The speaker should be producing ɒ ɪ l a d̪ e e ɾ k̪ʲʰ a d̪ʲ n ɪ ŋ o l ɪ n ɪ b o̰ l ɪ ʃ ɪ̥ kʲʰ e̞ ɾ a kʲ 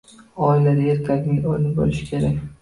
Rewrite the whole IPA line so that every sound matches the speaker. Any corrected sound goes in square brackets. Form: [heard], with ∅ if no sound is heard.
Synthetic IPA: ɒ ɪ l a d̪ [a] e ɾ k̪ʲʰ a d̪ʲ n ɪ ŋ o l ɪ n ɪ b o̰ l ɪ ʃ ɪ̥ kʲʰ e̞ ɾ a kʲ